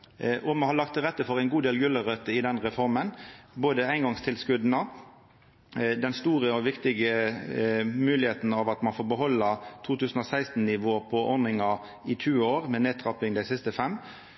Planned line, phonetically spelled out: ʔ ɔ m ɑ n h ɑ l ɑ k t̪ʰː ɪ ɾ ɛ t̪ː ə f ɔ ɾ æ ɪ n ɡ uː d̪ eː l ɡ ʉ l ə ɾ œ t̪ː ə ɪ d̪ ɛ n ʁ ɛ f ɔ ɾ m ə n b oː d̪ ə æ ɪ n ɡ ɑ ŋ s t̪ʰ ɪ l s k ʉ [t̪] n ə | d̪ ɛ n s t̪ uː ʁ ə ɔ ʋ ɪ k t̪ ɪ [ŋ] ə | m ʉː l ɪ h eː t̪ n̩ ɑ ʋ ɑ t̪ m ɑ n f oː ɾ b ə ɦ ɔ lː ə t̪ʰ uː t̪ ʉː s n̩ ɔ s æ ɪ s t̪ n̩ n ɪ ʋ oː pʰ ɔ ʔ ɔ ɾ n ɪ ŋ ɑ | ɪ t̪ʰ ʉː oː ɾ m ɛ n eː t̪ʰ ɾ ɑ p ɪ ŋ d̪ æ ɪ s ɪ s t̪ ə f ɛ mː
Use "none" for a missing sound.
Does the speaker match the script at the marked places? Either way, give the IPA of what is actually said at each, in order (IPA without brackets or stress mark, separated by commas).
d̪, ɡ